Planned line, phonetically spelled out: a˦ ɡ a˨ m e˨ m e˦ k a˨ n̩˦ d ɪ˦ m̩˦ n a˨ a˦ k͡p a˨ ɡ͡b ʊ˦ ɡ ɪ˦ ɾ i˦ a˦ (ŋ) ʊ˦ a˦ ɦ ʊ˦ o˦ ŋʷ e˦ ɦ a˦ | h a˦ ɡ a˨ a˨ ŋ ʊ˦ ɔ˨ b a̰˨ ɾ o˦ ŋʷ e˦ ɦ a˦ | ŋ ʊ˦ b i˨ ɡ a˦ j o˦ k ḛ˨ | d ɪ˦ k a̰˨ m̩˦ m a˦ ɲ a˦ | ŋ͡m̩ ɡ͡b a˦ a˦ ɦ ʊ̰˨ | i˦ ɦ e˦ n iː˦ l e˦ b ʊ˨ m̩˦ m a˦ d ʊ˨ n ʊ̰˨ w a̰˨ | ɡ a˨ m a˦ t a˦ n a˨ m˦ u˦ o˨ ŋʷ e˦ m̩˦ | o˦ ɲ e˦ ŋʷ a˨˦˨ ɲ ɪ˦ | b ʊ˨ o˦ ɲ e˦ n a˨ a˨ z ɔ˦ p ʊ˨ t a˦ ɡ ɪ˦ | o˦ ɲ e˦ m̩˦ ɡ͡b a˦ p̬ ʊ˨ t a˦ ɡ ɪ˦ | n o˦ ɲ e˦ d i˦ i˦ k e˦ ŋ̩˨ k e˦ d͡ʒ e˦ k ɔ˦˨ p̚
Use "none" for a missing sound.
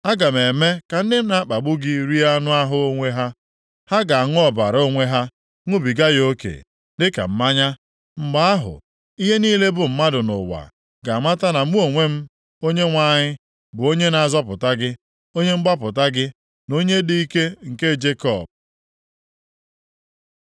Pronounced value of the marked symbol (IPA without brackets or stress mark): n